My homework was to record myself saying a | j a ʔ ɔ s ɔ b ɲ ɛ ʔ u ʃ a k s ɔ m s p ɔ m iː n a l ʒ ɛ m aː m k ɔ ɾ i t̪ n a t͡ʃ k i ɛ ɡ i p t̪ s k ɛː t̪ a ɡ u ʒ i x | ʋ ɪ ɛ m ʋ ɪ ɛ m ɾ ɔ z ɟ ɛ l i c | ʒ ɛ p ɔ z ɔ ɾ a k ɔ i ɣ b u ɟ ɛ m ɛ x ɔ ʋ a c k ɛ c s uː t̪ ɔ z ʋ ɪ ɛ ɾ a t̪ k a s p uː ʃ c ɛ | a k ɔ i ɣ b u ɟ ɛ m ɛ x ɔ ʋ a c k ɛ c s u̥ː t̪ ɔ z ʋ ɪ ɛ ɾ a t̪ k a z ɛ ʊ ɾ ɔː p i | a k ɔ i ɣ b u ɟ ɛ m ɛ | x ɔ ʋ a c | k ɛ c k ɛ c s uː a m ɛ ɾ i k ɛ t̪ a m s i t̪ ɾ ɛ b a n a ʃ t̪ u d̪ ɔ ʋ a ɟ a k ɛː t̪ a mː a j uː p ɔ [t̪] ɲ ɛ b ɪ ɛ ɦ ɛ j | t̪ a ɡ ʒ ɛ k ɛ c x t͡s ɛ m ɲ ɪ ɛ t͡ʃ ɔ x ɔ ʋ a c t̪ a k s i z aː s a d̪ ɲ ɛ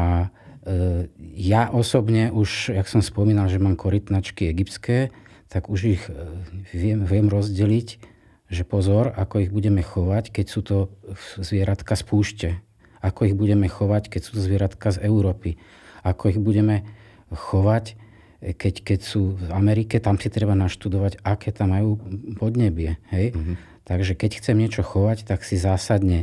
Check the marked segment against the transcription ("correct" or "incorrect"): incorrect